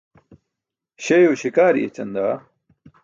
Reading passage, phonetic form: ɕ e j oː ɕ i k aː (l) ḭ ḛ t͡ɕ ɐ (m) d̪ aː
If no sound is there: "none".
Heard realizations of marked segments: ɾ, n

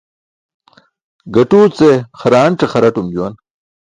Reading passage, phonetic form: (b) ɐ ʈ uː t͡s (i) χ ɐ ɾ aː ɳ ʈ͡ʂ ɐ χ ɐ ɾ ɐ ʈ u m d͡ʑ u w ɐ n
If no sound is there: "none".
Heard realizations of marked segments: ɡ, e

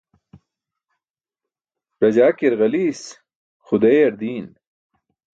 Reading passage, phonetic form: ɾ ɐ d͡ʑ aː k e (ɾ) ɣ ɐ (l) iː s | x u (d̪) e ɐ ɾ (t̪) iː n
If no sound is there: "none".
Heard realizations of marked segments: ɾ, l, d̪, d̪

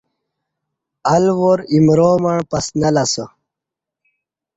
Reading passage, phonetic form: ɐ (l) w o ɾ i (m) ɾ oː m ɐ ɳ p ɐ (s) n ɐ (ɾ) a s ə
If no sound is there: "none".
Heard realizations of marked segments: l, m, s, l

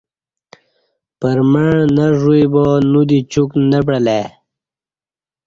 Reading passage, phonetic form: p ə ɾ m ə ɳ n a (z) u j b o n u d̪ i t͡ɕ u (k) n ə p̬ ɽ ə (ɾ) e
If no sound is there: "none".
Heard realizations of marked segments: ʐ, k, l

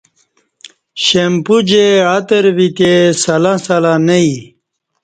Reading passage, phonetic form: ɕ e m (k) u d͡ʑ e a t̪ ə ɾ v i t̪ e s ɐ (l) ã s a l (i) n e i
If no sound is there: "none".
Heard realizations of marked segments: p, l, a

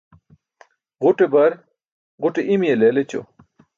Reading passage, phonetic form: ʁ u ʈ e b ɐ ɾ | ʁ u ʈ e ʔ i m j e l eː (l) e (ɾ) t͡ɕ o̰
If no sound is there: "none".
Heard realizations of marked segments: l, none

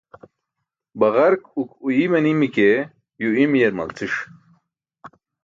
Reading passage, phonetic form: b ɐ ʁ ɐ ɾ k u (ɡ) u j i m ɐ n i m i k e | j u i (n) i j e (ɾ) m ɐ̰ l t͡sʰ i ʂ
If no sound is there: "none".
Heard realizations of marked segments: k, m, ɾ

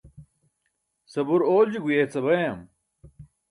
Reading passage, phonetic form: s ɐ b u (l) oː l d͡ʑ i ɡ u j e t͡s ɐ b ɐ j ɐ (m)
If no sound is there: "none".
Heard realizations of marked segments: ɾ, m

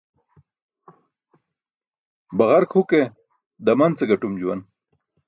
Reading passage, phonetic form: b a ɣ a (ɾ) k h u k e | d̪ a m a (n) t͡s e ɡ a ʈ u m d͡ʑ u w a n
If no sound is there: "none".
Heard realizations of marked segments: ɾ, n

